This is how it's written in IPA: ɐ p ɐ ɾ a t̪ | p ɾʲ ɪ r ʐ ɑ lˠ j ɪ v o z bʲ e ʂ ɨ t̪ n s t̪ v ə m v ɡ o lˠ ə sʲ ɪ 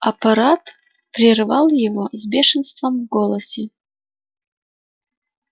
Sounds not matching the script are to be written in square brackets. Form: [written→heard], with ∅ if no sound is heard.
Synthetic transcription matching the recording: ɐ p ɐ ɾ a t̪ | p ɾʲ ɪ r [ʐ→v] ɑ lˠ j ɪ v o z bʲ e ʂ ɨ [t̪→∅] n s t̪ v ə m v ɡ o lˠ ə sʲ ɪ